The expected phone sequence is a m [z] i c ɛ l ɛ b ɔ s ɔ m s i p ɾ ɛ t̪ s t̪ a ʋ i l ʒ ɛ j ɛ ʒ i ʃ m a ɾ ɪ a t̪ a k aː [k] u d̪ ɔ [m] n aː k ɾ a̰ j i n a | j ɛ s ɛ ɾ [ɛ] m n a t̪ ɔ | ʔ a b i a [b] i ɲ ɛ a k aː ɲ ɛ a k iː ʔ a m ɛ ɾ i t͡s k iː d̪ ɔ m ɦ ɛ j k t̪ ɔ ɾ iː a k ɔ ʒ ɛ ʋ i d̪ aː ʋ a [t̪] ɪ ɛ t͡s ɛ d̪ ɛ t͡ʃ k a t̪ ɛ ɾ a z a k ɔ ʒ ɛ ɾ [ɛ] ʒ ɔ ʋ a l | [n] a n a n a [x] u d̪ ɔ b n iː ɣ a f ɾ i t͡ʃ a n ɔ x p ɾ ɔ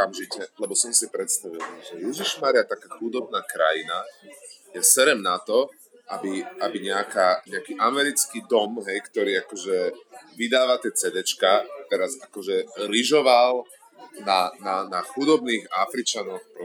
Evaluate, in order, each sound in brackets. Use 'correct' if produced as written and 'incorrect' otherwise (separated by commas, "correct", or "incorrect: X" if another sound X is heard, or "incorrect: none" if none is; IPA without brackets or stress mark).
incorrect: ʒ, incorrect: x, incorrect: b, correct, correct, correct, incorrect: i, correct, correct